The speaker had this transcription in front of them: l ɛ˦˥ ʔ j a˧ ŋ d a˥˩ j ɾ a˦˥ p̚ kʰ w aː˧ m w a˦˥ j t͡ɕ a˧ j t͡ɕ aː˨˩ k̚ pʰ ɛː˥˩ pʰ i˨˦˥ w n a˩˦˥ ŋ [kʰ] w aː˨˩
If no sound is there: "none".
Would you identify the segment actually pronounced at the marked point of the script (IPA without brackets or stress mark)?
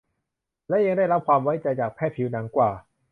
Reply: k